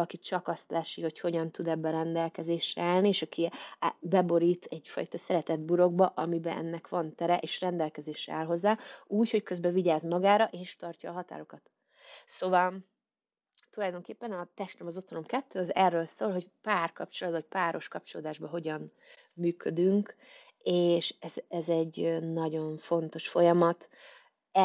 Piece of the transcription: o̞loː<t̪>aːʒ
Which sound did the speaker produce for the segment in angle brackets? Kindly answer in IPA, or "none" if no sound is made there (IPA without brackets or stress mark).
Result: d̪